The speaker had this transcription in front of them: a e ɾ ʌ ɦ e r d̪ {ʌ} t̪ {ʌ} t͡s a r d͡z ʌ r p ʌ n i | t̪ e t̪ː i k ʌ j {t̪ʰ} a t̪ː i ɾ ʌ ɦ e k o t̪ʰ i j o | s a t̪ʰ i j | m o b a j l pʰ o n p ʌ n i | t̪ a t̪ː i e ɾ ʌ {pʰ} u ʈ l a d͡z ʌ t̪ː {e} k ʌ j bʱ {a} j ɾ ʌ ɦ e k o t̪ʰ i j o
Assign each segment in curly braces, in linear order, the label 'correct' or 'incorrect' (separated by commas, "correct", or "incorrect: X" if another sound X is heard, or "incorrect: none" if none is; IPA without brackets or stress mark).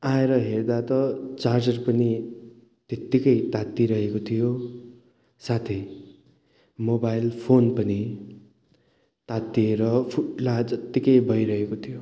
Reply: incorrect: a, correct, incorrect: t̪, correct, incorrect: i, incorrect: ʌ